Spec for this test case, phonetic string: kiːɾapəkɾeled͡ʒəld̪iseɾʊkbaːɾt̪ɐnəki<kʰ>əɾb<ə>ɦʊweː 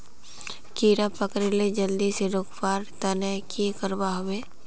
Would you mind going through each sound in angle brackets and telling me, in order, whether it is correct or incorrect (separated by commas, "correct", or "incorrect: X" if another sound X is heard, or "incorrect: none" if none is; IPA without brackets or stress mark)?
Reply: incorrect: k, incorrect: a